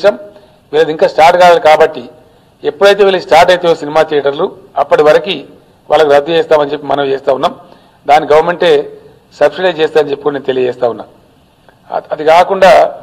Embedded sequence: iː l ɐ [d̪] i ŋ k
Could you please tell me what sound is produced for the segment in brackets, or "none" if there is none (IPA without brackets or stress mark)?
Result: d̪